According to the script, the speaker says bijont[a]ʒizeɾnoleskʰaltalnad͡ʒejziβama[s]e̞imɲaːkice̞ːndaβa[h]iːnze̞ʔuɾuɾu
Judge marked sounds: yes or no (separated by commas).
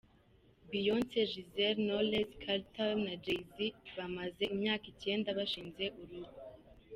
no, no, no